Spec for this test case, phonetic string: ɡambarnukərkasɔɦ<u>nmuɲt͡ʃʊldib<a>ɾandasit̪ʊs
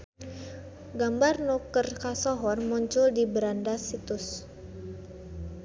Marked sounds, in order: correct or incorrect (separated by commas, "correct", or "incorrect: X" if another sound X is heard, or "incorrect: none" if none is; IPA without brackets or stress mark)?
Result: incorrect: ɔ, incorrect: ə